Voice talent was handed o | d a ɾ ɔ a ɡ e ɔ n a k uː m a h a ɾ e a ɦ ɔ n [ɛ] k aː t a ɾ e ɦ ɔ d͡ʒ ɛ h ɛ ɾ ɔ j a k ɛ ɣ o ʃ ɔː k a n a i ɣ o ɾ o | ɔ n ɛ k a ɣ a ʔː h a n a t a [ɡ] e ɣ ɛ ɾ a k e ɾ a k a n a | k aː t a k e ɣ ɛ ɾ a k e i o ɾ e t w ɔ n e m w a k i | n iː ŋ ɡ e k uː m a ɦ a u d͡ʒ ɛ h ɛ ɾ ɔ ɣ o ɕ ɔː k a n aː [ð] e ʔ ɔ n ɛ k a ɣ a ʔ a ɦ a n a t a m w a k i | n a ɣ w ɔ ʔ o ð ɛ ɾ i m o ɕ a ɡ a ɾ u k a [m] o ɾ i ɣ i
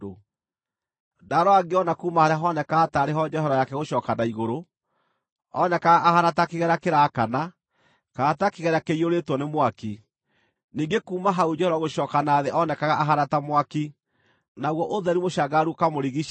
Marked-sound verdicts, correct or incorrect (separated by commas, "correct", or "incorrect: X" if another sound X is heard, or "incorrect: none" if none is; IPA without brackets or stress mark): correct, incorrect: k, correct, correct